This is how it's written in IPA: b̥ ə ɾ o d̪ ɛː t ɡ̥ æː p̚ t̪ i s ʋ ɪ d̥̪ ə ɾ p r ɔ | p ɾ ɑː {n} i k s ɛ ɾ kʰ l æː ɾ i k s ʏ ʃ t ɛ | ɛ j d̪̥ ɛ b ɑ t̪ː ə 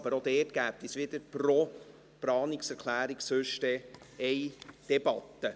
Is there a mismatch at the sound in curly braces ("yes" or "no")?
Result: no